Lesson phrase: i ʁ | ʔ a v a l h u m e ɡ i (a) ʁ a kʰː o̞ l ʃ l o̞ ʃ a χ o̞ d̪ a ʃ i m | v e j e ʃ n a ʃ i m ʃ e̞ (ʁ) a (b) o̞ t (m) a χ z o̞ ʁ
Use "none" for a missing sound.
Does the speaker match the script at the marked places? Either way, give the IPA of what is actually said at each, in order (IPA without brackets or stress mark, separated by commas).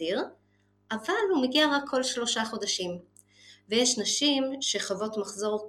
a, χ, v, m